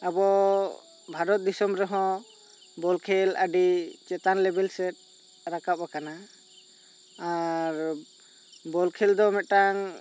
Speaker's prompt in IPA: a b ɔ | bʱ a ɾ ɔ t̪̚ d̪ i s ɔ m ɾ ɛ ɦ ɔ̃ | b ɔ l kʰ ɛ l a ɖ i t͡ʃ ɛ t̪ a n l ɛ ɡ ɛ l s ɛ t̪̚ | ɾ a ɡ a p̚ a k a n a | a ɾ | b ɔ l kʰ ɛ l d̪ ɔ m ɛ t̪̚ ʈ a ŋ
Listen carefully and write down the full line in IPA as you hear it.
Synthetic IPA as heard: a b ɔ | bʱ a ɾ ɔ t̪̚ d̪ i s ɔ m ɾ ɛ ɦ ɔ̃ | b ɔ l kʰ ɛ l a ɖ i t͡ʃ ɛ t̪ a n l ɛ b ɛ l s ɛ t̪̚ | ɾ a k a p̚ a k a n a | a ɾ | b ɔ l kʰ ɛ l d̪ ɔ m ɛ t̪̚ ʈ a ŋ